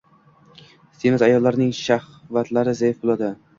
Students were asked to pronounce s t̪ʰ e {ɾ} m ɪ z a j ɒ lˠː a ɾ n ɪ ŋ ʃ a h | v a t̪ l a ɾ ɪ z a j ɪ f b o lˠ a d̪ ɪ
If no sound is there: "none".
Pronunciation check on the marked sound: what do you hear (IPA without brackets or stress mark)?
none